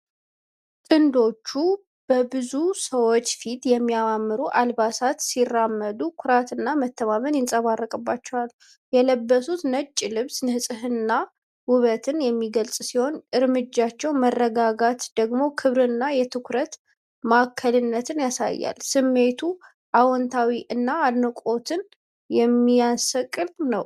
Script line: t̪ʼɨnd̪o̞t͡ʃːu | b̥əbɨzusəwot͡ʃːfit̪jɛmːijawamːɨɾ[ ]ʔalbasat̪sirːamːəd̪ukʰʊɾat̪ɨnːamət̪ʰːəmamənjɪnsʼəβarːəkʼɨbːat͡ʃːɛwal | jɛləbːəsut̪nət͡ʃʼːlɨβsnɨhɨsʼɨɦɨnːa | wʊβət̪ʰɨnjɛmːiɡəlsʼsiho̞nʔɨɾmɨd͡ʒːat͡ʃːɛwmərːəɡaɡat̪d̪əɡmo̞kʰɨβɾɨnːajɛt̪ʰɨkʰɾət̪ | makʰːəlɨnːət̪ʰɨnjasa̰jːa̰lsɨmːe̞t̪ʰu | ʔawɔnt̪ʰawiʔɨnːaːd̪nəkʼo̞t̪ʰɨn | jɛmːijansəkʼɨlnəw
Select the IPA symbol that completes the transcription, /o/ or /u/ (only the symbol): u